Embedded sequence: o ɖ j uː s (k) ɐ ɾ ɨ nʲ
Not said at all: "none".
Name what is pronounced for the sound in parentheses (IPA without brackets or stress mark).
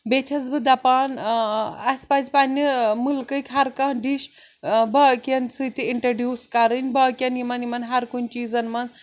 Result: k